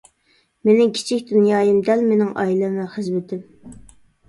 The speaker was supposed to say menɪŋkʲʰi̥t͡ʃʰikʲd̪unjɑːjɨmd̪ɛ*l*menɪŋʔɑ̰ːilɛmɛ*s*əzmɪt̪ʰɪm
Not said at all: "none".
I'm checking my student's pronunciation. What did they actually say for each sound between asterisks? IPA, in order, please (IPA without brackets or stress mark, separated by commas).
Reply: l, χ